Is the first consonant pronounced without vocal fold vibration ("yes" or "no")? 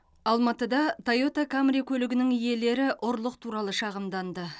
no